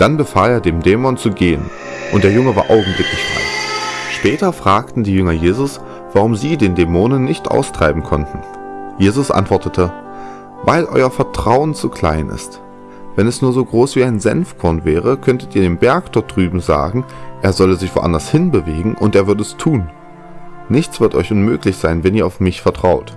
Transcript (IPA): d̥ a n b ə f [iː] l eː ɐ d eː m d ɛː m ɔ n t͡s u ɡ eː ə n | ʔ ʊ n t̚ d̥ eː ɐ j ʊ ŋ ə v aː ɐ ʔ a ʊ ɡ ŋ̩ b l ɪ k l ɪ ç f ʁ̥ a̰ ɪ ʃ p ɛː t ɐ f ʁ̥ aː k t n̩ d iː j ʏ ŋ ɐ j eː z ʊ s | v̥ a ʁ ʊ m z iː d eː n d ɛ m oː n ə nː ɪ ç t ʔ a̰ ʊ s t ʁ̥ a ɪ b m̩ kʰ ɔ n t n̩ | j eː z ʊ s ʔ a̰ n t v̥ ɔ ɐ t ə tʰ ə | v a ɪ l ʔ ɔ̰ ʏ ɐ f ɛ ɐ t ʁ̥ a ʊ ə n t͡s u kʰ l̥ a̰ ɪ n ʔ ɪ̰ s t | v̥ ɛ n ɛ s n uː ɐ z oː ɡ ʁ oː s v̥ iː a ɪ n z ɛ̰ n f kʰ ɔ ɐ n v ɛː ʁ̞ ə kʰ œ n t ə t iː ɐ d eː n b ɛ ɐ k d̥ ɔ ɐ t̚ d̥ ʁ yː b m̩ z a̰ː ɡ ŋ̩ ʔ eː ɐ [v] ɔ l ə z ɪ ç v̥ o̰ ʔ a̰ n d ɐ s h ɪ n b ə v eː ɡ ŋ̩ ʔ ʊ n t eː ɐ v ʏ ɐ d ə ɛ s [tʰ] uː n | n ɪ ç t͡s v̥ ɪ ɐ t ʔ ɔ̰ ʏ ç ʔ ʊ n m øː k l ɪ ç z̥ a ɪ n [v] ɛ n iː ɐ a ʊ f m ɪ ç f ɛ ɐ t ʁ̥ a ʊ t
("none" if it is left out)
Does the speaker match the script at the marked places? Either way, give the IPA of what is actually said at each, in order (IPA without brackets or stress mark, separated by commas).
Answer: aː, z, tʰ, v